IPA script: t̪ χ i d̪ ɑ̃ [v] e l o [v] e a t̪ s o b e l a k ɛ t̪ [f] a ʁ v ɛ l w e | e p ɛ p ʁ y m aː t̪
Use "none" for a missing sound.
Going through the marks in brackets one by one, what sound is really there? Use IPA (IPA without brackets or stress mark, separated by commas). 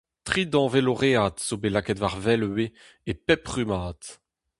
v, ʁ, v